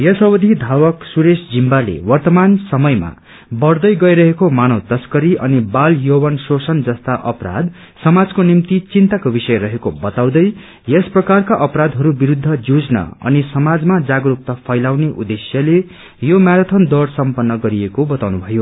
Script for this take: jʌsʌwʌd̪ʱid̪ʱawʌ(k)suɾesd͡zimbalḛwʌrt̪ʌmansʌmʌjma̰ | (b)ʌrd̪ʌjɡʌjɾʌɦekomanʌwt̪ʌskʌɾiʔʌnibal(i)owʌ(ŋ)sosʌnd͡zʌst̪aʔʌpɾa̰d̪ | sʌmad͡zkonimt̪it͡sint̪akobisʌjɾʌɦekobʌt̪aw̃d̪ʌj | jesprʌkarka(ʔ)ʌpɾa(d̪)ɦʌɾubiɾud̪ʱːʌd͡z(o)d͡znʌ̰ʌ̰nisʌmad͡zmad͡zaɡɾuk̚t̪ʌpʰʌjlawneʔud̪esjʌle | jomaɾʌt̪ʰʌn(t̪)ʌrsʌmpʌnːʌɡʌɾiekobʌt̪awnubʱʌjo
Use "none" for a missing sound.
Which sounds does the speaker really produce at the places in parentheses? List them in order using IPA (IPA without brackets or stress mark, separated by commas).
k, b, j, n, ʔ, d̪, u, d̪